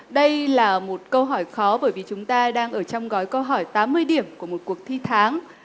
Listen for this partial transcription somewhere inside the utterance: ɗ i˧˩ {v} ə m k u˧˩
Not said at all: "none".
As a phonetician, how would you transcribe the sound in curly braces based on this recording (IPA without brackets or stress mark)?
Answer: none